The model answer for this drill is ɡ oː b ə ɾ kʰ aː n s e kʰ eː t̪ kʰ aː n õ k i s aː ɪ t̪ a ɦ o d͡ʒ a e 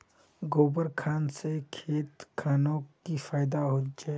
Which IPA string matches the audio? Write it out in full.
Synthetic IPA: ɡ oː b ə ɾ kʰ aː n s e kʰ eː t̪ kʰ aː n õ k i f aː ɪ d̪ a ɦ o d͡ʒ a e